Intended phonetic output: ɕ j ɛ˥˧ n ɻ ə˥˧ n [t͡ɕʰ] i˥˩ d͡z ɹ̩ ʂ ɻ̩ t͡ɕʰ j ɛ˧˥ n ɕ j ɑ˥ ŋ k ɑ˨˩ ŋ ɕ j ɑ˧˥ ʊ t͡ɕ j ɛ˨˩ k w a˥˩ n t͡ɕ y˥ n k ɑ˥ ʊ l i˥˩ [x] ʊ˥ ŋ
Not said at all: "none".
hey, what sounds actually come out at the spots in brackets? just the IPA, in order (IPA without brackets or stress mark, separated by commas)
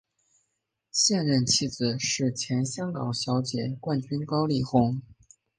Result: t͡ɕʰ, x